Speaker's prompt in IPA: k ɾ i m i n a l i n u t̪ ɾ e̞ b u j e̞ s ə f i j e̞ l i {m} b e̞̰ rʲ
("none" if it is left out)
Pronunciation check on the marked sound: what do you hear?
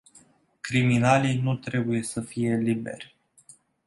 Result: none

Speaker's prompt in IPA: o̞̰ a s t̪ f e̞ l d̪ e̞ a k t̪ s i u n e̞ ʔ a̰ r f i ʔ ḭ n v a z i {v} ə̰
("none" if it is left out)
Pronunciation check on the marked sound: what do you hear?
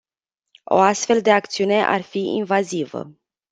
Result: v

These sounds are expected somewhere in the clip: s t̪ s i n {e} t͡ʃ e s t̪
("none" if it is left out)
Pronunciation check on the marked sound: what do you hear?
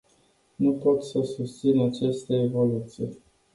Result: a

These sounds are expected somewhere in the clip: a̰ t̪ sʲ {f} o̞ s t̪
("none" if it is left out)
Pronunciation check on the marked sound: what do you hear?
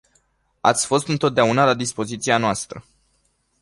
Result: f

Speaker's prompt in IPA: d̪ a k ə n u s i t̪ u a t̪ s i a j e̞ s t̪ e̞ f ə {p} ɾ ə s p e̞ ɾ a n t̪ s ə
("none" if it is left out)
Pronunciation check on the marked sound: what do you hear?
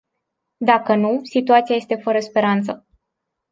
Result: none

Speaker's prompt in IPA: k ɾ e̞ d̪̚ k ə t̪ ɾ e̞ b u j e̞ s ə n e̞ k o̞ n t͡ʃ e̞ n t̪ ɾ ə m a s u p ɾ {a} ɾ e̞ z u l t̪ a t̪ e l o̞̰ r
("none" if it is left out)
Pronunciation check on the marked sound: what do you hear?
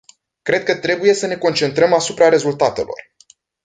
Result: a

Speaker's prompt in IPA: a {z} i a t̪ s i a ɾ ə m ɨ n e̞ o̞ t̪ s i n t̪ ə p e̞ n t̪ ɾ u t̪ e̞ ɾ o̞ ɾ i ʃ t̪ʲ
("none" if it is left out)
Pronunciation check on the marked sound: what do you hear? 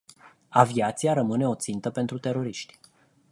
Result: v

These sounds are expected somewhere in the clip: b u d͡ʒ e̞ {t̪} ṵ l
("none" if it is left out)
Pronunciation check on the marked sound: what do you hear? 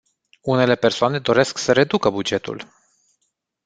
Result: t̪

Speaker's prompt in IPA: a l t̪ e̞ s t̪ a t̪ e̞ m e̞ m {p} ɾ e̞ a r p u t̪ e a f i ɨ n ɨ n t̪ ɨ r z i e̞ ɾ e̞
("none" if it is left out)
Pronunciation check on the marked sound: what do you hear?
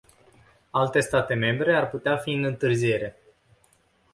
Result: b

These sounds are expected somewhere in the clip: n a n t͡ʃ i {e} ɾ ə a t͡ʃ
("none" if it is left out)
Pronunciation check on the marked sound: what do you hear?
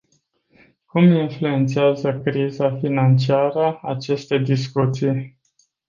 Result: a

